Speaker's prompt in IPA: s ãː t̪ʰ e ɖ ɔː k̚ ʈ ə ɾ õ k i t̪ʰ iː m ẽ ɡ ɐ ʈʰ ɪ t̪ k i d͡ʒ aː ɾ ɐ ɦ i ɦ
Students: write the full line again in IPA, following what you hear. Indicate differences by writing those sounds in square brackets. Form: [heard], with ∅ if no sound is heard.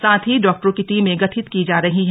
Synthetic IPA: s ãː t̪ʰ [i] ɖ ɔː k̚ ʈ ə ɾ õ k i [t̪] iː m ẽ ɡ ɐ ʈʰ ɪ t̪ k i d͡ʒ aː ɾ ɐ ɦ i ɦ